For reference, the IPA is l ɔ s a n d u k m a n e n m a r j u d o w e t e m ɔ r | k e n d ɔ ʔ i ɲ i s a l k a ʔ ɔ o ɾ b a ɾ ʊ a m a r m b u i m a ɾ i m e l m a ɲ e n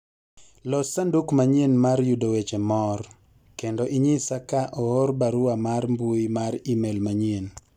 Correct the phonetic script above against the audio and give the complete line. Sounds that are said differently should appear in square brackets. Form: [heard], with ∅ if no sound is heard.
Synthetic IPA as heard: l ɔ s a n d u k m a [ɲ] e n m a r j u d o w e [t͡ʃ] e m ɔ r | k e n d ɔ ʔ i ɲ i s a [∅] k a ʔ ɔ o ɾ b a ɾ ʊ a m a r m b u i m a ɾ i m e l m a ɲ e n

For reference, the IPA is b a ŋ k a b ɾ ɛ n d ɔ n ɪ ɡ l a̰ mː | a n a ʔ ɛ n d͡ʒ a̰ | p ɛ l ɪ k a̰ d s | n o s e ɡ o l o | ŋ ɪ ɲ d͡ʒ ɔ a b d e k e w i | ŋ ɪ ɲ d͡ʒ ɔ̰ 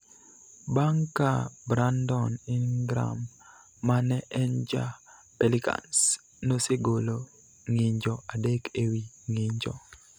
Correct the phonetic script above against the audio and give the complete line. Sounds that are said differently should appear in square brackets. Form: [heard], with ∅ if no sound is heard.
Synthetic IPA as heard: b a ŋ k a b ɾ [a] n d ɔ n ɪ ɡ [ɾ] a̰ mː | a n [ɛ] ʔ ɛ n d͡ʒ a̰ | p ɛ l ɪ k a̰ [n] s | n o s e ɡ o l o | ŋ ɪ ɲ d͡ʒ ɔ a [∅] d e k e w i | ŋ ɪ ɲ d͡ʒ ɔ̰

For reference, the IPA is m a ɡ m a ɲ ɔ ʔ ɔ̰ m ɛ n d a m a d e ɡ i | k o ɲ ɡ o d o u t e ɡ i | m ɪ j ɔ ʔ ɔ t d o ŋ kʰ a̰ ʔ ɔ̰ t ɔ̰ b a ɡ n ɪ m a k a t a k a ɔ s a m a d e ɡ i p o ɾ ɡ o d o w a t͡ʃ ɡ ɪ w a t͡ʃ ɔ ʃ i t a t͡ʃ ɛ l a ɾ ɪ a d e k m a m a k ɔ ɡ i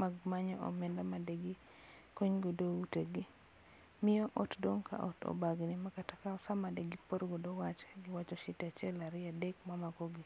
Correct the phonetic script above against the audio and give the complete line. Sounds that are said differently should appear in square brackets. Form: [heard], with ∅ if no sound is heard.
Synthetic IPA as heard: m a ɡ m a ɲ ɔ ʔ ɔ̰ m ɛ n d a m a d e ɡ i | k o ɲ ɡ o d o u t e ɡ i | m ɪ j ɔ ʔ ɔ t d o ŋ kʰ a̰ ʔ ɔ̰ t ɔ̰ b a ɡ n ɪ m a k a t a k a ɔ s a m a d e ɡ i p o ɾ ɡ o d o w a t͡ʃ ɡ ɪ w a t͡ʃ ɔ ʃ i t a t͡ʃ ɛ l a ɾ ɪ a d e k m a m a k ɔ ɡ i

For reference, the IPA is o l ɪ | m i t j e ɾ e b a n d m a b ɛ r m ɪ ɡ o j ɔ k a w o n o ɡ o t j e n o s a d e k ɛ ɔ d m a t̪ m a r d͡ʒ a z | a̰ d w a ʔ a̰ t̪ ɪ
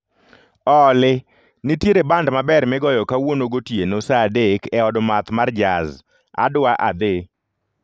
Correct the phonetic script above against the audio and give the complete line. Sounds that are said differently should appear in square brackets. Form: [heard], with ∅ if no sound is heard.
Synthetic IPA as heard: [ɔ] l ɪ | [n] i t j e ɾ e b a n d m a b ɛ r m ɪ ɡ [ɔ] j ɔ k a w o n o ɡ o t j e n o s a d e k ɛ ɔ d m a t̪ m a r d͡ʒ a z | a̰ d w a ʔ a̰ [d̪] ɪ

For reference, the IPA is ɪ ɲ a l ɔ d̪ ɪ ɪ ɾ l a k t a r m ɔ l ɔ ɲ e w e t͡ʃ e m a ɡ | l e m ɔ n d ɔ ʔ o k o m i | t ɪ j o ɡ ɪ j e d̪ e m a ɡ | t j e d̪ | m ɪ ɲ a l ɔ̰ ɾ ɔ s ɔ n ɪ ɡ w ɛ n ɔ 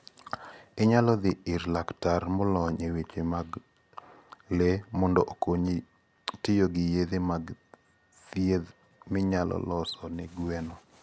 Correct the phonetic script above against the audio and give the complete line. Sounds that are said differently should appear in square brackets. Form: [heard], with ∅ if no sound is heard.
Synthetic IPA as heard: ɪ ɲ a l ɔ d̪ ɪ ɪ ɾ l a k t a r m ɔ l ɔ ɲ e w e t͡ʃ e m a ɡ | l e m ɔ n d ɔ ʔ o k o [ɲ] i | t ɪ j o ɡ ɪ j e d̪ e m a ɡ | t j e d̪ | m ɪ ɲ a l ɔ̰ [l] ɔ s ɔ n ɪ ɡ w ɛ n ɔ

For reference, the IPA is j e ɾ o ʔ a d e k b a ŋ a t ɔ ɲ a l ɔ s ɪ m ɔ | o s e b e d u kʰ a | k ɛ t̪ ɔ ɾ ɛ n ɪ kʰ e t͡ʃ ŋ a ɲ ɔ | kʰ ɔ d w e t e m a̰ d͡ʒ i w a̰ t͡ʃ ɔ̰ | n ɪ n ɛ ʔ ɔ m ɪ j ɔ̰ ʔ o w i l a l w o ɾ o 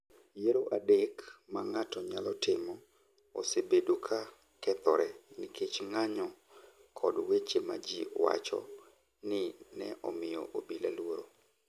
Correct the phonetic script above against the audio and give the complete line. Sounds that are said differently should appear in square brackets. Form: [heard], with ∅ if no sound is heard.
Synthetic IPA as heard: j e ɾ o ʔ a d e k [m] a ŋ a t ɔ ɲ a l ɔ [t] ɪ m ɔ | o s e b e d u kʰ a | k ɛ t̪ ɔ ɾ ɛ n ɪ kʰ e t͡ʃ ŋ a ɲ ɔ | kʰ ɔ d w e [t͡ʃ] e m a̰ d͡ʒ i w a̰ t͡ʃ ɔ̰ | n ɪ n ɛ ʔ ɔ m ɪ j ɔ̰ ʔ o [b] i l a l w o ɾ o

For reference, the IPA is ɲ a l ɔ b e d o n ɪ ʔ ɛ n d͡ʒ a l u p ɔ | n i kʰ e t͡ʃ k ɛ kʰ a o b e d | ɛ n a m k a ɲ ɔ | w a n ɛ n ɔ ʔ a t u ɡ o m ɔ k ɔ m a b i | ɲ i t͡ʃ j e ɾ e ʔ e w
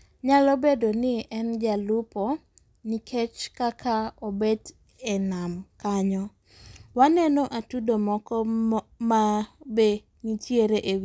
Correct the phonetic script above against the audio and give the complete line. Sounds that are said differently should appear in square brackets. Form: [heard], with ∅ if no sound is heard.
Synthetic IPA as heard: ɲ a l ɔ b e d o n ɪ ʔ ɛ n d͡ʒ a l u p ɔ | n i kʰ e t͡ʃ k [a] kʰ a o b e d | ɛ n a m k a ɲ ɔ | w a n ɛ n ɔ ʔ a t u [d] o m ɔ k ɔ m a b [e] | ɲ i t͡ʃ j e ɾ e ʔ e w

